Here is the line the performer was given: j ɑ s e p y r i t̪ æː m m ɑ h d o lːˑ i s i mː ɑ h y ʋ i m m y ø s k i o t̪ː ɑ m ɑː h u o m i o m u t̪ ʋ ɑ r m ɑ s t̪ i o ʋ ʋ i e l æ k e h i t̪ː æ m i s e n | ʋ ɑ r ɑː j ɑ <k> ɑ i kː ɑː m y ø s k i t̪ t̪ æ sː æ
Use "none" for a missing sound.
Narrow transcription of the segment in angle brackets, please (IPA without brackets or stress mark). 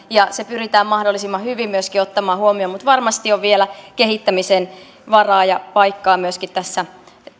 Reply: p